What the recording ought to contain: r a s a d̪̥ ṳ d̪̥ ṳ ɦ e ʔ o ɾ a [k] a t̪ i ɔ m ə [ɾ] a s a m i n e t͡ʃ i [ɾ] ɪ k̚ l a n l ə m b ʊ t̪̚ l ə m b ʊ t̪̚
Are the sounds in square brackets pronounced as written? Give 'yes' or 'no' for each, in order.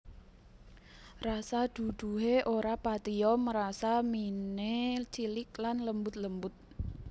no, yes, no

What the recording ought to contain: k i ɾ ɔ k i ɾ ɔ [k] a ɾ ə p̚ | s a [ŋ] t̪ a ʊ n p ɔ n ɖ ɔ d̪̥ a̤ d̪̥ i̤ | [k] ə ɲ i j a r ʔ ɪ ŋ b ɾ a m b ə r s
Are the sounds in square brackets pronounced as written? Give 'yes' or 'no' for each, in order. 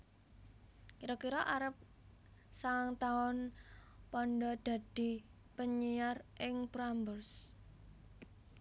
no, yes, no

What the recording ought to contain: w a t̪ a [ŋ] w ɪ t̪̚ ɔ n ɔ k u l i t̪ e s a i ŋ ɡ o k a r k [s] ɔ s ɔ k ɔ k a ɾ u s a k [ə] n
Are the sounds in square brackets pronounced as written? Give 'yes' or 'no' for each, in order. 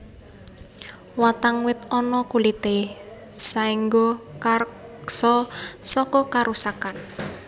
yes, yes, no

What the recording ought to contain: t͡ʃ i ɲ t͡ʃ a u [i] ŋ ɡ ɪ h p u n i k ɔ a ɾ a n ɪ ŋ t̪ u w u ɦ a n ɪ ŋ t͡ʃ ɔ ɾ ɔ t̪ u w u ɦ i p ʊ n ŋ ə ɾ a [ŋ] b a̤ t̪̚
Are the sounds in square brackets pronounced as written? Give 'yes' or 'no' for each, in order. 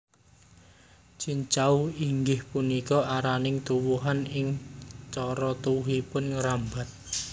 yes, no

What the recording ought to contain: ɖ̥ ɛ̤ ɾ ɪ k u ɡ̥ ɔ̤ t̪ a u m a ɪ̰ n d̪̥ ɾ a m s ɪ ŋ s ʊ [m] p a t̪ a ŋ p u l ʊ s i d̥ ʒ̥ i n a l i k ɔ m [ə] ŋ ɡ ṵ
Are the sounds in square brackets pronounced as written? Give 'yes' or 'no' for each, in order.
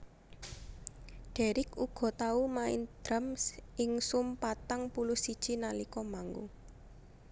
yes, no

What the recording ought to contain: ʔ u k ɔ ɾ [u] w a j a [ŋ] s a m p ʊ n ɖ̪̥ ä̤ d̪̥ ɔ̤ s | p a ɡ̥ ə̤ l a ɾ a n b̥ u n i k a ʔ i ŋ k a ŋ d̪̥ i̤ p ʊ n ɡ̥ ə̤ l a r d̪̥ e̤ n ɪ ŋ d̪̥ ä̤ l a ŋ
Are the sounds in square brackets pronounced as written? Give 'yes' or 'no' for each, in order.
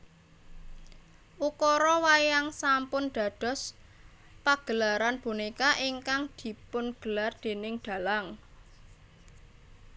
no, yes

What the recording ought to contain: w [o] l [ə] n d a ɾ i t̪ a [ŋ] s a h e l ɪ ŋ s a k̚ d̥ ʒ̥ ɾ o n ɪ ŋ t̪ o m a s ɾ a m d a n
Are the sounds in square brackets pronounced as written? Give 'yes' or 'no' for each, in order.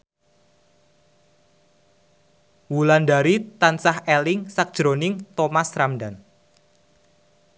no, no, no

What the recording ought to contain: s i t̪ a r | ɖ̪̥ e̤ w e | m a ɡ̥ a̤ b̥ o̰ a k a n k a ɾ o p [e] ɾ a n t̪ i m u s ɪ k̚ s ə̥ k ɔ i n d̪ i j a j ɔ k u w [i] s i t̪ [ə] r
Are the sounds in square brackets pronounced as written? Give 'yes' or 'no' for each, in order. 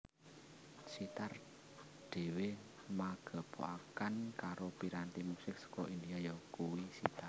no, yes, no

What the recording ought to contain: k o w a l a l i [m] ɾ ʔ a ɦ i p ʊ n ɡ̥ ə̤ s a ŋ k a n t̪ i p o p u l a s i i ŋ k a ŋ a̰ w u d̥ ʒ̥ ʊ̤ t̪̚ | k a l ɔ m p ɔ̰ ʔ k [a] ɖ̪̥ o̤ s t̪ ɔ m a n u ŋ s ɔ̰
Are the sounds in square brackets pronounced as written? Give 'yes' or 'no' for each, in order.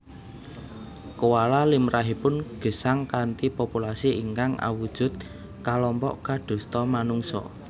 yes, yes

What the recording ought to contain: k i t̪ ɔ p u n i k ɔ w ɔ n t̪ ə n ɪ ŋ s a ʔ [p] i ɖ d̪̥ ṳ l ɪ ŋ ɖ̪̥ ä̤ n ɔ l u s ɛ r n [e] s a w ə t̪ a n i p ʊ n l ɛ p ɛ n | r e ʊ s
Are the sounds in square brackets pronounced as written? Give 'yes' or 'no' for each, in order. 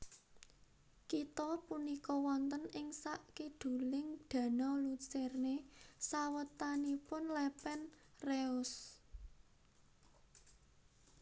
no, yes

